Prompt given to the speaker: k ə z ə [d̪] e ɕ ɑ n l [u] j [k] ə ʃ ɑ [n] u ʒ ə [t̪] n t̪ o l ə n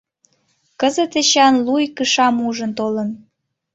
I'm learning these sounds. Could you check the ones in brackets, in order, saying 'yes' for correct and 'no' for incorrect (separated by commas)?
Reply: no, yes, yes, no, no